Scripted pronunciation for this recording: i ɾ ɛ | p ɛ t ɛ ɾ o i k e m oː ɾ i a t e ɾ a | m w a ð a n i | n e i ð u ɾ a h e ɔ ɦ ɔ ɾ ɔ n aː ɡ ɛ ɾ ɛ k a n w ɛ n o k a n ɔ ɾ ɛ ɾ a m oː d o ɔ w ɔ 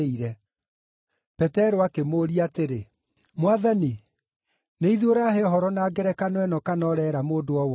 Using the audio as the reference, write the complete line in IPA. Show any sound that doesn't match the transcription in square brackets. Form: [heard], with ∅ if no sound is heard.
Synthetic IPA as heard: i ɾ ɛ | p ɛ t ɛ ɾ o [a] k e m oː ɾ i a t e ɾ [e] | m w a ð a n i | n e i ð [o] ɾ a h e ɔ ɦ ɔ ɾ ɔ n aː ɡ ɛ ɾ ɛ k a n w ɛ n [ɔ] k a n ɔ ɾ ɛ ɾ a m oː d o ɔ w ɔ